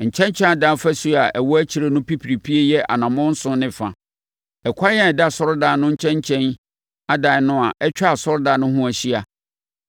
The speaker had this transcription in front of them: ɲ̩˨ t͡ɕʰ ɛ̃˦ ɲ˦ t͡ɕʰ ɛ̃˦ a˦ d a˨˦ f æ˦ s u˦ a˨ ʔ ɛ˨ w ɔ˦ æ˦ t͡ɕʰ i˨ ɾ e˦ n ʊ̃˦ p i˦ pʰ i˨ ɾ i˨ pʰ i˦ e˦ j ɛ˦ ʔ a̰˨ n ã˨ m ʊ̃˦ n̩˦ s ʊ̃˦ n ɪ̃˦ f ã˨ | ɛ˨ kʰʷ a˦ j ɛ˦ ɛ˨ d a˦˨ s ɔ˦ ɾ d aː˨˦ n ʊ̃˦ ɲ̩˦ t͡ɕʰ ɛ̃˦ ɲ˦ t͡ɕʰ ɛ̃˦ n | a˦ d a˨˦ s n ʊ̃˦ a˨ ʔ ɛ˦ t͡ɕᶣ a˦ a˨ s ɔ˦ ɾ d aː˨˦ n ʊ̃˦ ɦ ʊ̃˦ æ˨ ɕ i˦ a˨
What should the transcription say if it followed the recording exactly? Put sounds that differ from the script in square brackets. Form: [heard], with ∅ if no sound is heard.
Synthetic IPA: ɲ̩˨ t͡ɕʰ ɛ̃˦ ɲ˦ t͡ɕʰ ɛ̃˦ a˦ d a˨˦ f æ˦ s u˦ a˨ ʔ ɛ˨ w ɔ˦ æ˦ t͡ɕʰ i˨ ɾ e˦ n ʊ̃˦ p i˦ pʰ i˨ ɾ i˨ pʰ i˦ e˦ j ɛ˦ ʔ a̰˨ n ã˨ m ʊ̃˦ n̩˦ s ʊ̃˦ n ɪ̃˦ f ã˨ | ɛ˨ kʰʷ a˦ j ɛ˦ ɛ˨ d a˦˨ s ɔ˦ ɾ d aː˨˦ n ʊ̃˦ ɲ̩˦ t͡ɕʰ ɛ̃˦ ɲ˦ t͡ɕʰ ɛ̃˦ n | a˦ d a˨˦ [∅] n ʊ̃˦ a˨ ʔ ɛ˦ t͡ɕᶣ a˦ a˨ s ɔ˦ ɾ d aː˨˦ n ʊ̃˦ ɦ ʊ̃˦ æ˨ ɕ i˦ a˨